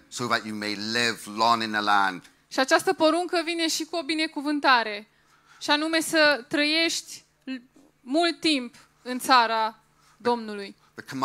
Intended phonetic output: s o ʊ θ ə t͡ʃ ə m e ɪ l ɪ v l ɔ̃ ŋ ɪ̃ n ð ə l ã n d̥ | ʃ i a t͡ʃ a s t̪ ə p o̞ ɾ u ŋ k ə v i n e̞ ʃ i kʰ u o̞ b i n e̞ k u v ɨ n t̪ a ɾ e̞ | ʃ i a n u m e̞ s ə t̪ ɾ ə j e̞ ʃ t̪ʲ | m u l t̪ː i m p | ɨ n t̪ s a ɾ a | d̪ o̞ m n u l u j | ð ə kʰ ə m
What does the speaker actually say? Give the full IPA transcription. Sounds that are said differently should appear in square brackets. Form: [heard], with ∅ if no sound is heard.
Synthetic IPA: s o ʊ [ð] ə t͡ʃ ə m e ɪ l ɪ v l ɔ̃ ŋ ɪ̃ n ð ə l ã n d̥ | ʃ i a t͡ʃ a s t̪ ə p o̞ ɾ u ŋ k ə v i n e̞ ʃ i [k] u o̞ b i n e̞ k u v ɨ n t̪ a ɾ e̞ | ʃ i a n u m e̞ s ə t̪ ɾ ə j e̞ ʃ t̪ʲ | m u l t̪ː i m p | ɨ n t̪ s a ɾ a | d̪ o̞ m n u l u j | ð ə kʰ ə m